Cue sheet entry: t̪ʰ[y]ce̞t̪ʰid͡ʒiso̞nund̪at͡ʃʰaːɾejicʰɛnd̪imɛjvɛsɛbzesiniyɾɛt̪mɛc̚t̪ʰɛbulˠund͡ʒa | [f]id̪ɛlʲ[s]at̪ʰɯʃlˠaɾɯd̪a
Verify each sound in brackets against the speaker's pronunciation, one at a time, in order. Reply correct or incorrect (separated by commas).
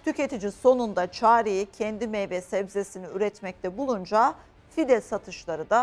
correct, correct, correct